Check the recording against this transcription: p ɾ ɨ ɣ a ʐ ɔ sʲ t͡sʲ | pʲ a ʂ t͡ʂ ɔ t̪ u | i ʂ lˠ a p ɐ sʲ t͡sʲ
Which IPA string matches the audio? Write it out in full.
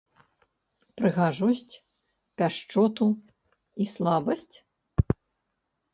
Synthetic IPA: p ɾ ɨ ɣ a ʐ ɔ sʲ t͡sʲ | pʲ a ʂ t͡ʂ ɔ t̪ u | i s lˠ a b ɐ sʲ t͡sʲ